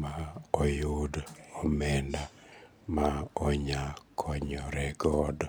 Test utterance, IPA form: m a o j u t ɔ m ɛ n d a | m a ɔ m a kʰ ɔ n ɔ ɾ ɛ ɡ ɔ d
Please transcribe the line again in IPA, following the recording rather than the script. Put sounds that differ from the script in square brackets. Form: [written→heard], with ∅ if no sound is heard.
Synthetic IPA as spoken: m a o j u [t→d] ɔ m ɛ n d a | m a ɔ [m→ɲ] a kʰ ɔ [n→ɲ] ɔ ɾ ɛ ɡ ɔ d